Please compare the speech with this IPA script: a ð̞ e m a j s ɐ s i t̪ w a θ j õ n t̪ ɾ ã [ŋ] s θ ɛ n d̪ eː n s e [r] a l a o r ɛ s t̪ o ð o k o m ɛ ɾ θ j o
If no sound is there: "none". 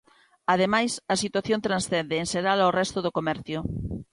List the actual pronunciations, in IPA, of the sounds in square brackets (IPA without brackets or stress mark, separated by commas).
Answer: n, ɾ